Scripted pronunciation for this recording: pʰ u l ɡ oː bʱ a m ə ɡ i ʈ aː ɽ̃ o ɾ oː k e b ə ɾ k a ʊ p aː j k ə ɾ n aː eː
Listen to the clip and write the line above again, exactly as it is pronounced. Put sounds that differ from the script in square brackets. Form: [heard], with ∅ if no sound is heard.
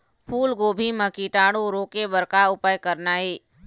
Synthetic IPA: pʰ [uː] l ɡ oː bʱ [i] m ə [k] i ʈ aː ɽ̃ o ɾ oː k e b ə ɾ k a ʊ p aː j k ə ɾ n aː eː